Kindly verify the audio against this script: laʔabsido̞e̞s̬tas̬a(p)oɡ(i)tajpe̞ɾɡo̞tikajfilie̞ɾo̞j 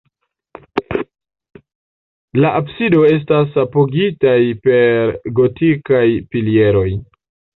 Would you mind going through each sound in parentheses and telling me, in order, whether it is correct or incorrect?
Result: correct, correct

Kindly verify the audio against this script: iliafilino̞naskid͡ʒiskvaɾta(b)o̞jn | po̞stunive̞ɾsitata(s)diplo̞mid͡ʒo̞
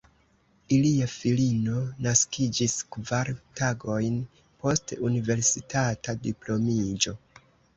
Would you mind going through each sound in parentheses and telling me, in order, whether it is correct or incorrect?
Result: incorrect: ɡ, incorrect: none

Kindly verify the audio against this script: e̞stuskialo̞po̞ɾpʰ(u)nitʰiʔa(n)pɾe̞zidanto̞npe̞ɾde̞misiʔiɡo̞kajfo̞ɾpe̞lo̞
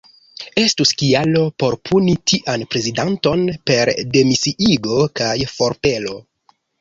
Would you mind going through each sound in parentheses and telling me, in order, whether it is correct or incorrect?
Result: correct, correct

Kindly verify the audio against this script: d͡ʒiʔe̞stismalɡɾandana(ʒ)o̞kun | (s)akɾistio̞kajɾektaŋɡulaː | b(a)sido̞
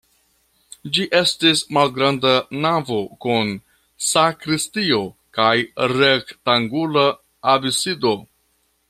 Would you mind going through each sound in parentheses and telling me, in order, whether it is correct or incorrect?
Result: incorrect: v, correct, incorrect: i

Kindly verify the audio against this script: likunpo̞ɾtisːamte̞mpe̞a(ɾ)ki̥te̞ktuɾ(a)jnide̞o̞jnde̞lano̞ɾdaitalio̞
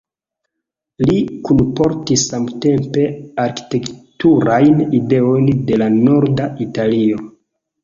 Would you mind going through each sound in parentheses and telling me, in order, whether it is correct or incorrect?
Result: correct, correct

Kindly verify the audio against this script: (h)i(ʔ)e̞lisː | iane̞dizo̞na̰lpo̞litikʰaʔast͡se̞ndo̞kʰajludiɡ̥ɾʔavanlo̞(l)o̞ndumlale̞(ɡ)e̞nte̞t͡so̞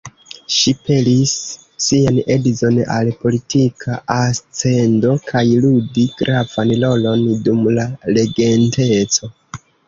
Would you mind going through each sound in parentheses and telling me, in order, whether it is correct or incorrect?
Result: incorrect: ʃ, incorrect: p, correct, correct

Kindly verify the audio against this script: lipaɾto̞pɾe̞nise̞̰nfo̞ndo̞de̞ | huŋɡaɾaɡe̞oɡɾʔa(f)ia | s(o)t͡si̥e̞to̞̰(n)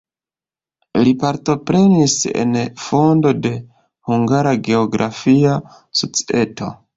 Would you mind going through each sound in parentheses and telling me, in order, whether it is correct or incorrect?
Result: correct, correct, incorrect: none

